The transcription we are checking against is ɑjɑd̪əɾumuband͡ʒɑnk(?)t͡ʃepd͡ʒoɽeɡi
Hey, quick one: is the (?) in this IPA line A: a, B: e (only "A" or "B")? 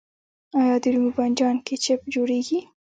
B